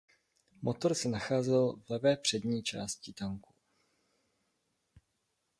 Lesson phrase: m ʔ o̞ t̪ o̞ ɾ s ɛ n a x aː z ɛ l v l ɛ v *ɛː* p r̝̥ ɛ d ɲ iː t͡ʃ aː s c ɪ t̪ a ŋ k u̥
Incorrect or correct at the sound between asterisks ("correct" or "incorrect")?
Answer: correct